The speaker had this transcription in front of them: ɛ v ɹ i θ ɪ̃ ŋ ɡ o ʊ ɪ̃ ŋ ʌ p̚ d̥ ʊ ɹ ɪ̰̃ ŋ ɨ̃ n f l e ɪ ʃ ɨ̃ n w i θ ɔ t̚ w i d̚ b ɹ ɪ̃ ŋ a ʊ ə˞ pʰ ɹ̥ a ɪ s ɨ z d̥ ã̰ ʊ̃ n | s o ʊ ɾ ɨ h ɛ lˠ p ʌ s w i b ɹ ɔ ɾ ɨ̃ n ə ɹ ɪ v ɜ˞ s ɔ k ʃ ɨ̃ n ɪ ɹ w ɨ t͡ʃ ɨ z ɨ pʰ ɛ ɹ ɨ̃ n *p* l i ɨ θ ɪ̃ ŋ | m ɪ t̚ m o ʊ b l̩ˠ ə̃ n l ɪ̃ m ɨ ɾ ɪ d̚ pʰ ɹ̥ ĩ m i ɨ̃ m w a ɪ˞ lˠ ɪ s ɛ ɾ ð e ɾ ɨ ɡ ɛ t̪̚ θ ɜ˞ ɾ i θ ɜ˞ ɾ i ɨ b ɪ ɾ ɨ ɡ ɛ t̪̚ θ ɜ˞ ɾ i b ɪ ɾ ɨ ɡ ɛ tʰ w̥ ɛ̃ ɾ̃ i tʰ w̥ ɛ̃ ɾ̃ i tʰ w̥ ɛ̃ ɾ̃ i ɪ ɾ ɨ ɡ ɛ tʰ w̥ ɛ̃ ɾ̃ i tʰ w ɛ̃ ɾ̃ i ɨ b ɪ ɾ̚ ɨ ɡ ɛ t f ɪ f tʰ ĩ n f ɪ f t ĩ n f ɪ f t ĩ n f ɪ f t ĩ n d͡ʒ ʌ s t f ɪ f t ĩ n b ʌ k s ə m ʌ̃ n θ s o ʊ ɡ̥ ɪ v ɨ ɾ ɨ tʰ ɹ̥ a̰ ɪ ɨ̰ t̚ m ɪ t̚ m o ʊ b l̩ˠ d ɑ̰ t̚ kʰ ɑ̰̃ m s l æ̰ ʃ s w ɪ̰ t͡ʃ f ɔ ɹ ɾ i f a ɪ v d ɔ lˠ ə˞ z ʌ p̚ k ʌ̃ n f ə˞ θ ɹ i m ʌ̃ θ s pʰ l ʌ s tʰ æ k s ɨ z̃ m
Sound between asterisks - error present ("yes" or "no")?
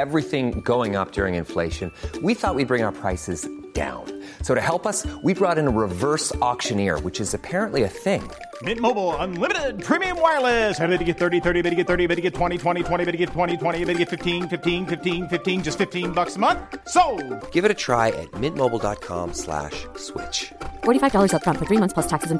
yes